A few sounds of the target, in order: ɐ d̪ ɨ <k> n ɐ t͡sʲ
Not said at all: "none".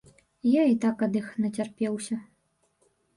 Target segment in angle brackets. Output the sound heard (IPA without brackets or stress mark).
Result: x